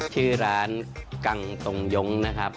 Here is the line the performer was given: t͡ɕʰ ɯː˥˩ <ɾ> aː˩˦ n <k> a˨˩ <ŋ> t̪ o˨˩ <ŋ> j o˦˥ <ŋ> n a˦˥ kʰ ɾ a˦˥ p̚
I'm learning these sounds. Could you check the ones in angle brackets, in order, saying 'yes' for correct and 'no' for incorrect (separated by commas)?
yes, yes, yes, yes, yes